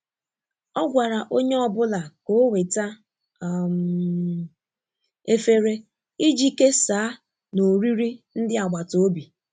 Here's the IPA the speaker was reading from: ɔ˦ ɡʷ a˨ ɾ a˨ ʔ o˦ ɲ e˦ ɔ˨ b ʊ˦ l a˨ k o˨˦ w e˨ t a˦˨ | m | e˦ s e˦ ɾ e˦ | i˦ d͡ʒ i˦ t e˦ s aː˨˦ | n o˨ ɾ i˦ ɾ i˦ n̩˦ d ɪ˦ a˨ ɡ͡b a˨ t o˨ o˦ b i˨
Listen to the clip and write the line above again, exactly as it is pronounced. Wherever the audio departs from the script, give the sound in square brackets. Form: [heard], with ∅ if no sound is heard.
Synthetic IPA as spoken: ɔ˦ ɡʷ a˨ ɾ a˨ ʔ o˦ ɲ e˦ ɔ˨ b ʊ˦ l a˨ k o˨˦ w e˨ t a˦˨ | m | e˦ [f] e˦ ɾ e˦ | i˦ d͡ʒ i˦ [k] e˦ s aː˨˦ | n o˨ ɾ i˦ ɾ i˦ n̩˦ d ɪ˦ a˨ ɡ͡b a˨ t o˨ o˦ b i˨